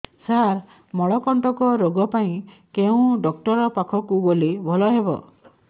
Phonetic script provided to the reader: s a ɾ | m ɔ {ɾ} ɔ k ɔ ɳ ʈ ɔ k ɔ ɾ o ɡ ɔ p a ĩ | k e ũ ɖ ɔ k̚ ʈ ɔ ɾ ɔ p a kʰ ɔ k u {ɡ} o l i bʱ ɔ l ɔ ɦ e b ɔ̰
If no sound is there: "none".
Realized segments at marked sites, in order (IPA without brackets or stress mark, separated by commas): ɭ, ɡ